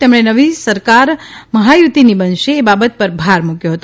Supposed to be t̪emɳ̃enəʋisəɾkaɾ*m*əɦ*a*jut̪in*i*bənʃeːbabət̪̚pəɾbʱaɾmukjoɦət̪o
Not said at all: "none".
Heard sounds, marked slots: m, a, i

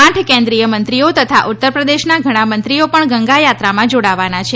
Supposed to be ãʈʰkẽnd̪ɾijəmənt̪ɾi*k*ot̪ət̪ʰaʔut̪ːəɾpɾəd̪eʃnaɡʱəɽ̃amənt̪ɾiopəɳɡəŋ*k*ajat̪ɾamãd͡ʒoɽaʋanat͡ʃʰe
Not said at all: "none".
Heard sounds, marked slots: none, ɡ

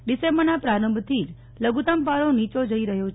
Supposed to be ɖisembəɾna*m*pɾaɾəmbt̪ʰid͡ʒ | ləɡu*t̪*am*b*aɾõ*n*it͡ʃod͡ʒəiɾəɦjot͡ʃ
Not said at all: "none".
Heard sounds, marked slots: none, t̪, p, n

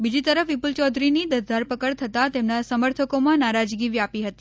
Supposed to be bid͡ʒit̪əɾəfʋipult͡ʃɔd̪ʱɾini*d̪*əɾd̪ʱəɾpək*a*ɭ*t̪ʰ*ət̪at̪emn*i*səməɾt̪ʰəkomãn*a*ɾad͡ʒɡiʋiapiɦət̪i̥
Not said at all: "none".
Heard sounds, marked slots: d̪, ə, t̪ʰ, a, a

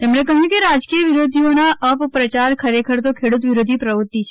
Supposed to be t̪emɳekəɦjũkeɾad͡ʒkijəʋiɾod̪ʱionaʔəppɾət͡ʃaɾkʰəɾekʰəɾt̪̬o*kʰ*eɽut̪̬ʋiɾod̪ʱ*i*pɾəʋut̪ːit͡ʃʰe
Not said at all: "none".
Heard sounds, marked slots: kʰ, i

